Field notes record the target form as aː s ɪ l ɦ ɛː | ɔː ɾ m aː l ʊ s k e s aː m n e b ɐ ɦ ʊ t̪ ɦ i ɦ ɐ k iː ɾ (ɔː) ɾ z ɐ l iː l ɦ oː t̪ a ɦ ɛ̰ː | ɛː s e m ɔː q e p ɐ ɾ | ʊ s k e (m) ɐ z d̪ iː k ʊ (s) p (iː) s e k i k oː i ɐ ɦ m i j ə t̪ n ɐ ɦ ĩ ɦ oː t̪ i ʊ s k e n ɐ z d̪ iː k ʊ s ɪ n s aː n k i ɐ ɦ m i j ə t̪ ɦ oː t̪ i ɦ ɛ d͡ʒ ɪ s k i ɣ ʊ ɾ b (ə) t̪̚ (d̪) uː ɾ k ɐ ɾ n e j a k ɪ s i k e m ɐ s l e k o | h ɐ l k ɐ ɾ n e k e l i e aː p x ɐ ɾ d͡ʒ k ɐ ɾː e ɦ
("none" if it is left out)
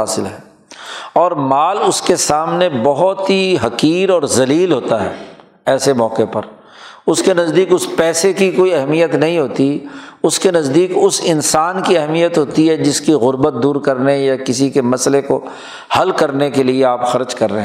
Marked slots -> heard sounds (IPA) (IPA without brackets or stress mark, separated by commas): ɔː, n, s, ɛː, ə, d̪